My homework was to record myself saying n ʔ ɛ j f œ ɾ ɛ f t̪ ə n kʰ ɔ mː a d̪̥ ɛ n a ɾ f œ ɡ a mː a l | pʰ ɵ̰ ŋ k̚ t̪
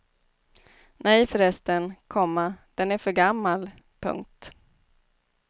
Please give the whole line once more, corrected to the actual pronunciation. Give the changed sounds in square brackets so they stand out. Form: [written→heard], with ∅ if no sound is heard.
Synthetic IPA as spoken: n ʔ ɛ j f œ ɾ ɛ [f→s] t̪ ə n kʰ ɔ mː a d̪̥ ɛ n [a→æ] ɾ f œ ɡ a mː a l | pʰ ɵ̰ ŋ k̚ t̪